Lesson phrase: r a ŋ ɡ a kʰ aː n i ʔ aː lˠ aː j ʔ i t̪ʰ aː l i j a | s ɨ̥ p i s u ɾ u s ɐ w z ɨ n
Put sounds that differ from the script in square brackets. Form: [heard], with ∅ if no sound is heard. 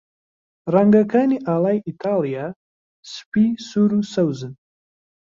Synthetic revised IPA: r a ŋ ɡ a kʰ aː n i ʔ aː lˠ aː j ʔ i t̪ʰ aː l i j a | s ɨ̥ p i s u ɾ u s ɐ w z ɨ n